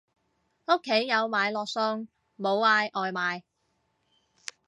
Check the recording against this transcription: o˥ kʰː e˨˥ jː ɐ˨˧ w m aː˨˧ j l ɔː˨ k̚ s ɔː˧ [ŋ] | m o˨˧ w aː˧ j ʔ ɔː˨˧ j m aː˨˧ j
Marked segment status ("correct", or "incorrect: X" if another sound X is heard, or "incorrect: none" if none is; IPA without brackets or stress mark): correct